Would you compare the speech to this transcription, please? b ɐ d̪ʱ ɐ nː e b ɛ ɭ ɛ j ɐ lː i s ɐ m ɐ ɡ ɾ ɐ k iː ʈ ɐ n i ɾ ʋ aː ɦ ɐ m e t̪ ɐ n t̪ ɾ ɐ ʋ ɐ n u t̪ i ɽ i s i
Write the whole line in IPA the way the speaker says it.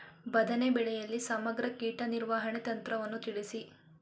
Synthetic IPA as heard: b ɐ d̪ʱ ɐ n e b ɛ ɭ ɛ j ɐ lː i s ɐ m ɐ ɡ ɾ ɐ k iː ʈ ɐ n i ɾ ʋ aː ɦ ɐ ɳ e t̪ ɐ n t̪ ɾ ɐ ʋ ɐ nː u t̪ i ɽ i s i